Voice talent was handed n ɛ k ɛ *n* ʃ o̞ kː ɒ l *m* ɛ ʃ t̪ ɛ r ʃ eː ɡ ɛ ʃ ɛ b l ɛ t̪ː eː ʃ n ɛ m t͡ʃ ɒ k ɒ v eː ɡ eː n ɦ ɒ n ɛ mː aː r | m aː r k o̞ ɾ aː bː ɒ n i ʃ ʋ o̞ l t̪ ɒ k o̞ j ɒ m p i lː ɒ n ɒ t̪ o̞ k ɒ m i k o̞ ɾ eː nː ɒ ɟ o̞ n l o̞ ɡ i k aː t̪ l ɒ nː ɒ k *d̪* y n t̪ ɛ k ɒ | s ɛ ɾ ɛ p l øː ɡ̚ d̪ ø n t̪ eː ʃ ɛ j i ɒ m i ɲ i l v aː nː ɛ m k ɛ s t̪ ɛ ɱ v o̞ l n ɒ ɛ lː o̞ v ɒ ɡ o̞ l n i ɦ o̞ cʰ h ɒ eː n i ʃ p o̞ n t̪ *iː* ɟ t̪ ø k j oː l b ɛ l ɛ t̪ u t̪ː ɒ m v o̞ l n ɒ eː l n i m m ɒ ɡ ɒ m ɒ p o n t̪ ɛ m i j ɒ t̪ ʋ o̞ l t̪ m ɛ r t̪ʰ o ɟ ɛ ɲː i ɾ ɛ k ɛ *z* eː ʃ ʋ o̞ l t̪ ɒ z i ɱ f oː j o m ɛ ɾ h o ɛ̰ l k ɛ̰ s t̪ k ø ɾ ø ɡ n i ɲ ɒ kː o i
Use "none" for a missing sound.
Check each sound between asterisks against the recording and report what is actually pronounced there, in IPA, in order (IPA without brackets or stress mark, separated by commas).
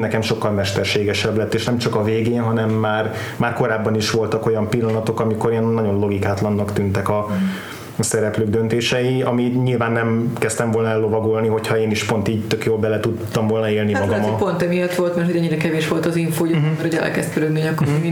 m, m, t̪, iː, v